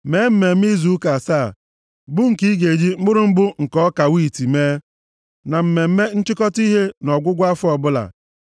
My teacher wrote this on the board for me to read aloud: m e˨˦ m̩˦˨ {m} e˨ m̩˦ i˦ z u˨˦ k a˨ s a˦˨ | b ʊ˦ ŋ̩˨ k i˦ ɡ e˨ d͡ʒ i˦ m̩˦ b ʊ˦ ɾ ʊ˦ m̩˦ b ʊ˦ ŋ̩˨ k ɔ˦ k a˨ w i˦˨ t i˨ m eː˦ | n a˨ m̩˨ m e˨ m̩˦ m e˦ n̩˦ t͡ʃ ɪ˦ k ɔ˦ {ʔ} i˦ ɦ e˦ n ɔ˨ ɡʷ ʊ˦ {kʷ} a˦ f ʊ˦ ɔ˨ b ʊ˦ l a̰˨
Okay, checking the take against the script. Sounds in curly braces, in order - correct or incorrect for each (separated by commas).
correct, incorrect, incorrect